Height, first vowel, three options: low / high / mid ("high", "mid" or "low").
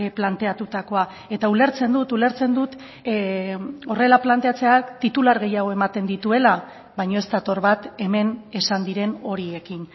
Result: low